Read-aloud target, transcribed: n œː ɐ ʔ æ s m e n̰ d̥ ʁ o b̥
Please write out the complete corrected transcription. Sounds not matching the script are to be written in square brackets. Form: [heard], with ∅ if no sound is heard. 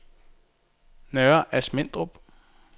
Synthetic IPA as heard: n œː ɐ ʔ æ s m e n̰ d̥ ʁ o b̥